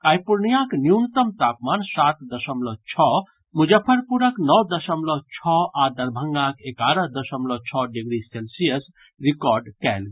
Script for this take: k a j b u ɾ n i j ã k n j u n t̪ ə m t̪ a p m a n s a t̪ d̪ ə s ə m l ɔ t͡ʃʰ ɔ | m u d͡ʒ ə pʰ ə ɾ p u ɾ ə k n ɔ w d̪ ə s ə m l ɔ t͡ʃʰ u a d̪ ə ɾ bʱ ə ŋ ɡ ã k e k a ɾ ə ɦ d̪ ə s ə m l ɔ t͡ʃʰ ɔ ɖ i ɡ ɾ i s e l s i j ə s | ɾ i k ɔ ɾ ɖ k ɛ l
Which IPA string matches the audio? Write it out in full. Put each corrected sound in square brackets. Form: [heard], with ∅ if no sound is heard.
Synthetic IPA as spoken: k a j [p] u ɾ n i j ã k n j u n t̪ ə m t̪ a p m a n s a t̪ d̪ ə s ə m l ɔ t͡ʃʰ ɔ | m u d͡ʒ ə pʰ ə ɾ p u ɾ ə k n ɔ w d̪ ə s ə m l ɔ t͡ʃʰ [ɔ] a d̪ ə ɾ bʱ ə ŋ ɡ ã k e k a ɾ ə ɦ d̪ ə s ə m l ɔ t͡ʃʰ ɔ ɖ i ɡ ɾ i s e l s i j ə s | ɾ i k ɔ ɾ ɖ k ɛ l